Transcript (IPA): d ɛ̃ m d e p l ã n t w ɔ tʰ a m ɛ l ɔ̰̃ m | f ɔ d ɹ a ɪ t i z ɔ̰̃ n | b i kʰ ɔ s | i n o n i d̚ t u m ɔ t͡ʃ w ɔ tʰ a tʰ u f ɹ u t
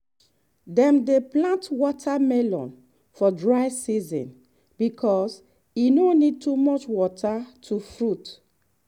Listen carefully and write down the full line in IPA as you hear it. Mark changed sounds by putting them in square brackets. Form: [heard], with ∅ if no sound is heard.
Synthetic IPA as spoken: d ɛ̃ m d e p l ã n t w ɔ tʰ a m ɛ l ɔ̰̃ [n] | f ɔ d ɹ a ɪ [s] i z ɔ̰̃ n | b i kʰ ɔ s | i n o n i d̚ t u m ɔ t͡ʃ w ɔ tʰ a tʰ u f ɹ u t